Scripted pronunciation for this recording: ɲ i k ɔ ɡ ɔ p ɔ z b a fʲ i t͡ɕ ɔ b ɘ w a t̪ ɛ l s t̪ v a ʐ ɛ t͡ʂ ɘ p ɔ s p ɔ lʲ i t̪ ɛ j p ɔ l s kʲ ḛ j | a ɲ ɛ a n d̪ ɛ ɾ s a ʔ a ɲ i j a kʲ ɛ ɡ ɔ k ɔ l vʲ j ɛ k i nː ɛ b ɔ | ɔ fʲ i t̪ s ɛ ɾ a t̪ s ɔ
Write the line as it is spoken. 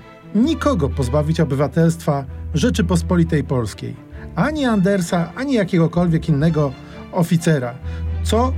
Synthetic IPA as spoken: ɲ i k ɔ ɡ ɔ p ɔ z b a vʲ i t͡ɕ ɔ b ɘ v a t̪ ɛ l s t̪ f a ʐ ɛ t͡ʂ ɘ p ɔ s p ɔ lʲ i t̪ ɛ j p ɔ l s kʲ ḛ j | a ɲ i a n d̪ ɛ ɾ s a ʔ a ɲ i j a kʲ ɛ ɡ ɔ k ɔ l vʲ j ɛ k i nː ɛ ɡ ɔ | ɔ fʲ i t̪ s ɛ ɾ a t̪ s ɔ